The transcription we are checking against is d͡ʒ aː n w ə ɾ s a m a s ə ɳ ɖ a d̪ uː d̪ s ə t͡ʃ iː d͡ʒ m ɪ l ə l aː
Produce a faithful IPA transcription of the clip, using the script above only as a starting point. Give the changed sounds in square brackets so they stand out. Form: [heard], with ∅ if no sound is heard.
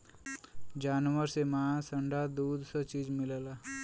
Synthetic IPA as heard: d͡ʒ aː n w ə ɾ s [e] m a s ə ɳ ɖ a d̪ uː d̪ s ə t͡ʃ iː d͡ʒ m ɪ l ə l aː